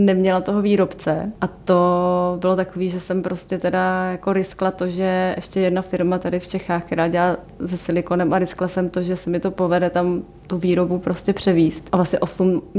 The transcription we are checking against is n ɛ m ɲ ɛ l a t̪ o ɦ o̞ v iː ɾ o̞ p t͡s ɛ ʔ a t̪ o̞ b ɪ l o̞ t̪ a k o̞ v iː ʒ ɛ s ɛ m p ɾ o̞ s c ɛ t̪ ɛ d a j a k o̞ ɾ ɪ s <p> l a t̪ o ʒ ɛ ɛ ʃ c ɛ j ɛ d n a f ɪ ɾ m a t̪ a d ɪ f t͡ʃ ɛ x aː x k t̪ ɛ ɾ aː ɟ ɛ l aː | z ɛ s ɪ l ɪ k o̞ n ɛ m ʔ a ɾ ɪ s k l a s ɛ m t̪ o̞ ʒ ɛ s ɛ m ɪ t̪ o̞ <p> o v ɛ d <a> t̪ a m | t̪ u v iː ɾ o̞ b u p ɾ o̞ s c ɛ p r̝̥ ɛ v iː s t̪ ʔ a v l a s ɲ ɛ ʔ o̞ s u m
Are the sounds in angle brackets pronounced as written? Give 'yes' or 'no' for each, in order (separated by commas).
no, yes, no